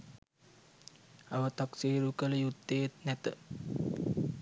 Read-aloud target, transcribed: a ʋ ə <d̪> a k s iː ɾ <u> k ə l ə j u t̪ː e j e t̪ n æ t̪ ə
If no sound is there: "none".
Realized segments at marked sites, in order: t̪, u

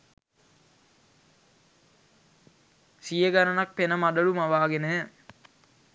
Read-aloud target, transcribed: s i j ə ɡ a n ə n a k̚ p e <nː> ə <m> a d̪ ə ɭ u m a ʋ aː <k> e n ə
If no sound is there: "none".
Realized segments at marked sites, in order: n, m, ɡ

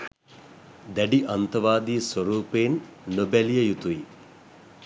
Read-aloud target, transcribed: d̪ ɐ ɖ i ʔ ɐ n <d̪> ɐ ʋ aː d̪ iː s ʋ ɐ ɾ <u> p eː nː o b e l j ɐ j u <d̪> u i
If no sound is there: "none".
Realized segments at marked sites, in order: t̪, uː, t̪

